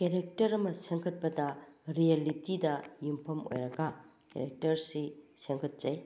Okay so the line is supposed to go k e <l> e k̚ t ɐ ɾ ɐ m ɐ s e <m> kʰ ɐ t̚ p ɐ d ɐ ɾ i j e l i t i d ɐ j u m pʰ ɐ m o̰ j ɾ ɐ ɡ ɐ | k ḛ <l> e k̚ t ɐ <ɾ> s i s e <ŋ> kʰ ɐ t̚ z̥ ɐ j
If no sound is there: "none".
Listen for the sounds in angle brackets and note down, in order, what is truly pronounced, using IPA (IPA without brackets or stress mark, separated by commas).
ɾ, ŋ, ɾ, ɾ, ŋ